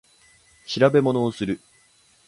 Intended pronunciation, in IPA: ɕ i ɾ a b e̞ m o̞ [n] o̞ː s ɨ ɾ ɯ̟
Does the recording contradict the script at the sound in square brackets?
no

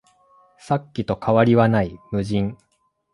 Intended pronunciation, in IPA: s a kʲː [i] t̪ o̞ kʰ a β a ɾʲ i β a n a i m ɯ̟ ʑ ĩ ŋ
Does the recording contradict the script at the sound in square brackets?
no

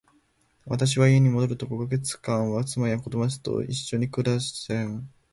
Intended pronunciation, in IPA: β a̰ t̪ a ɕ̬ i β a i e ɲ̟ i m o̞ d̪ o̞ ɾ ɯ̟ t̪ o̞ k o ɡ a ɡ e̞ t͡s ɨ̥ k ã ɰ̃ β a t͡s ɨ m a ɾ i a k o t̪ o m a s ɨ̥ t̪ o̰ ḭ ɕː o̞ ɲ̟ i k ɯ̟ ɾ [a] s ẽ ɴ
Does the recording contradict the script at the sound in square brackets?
no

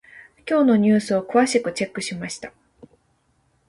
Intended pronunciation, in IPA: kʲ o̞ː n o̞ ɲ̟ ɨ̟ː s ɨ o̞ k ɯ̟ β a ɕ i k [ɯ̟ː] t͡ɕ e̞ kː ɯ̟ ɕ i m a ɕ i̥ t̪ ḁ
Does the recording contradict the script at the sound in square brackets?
yes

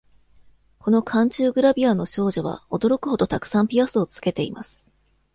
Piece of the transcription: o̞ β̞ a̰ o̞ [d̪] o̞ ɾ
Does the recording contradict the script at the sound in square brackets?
no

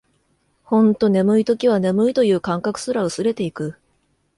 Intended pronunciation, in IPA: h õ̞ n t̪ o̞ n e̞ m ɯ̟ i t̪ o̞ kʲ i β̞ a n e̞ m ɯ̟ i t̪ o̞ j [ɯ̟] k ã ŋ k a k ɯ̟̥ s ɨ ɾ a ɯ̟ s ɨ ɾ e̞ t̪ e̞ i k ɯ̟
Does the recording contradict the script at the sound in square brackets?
yes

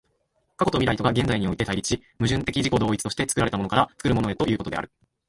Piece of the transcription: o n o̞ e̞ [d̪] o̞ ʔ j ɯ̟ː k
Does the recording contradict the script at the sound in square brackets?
yes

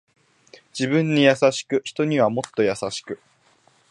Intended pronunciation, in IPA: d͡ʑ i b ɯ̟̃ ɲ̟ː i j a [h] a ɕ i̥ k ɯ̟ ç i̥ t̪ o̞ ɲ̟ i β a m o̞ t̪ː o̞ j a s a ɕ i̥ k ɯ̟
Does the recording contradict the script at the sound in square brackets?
yes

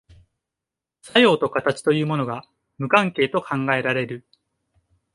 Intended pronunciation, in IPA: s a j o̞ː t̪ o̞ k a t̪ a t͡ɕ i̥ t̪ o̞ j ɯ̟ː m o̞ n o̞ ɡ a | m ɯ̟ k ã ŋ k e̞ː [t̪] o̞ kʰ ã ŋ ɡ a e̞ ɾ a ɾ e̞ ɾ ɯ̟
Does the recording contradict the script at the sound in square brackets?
no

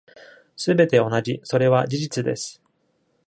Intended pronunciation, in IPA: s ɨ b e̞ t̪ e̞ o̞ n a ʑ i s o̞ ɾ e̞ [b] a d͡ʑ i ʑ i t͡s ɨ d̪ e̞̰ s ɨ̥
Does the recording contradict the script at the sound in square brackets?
yes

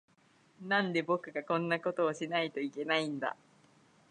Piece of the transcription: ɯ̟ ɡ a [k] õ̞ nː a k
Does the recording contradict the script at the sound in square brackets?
no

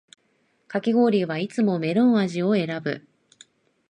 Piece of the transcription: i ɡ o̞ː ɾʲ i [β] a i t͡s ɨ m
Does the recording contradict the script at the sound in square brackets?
no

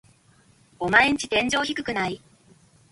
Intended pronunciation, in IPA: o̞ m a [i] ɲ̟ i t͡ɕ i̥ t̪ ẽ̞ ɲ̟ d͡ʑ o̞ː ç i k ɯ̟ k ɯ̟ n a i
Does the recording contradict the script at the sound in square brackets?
yes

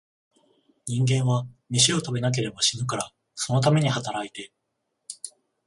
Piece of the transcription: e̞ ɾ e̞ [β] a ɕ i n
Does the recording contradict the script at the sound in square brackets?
yes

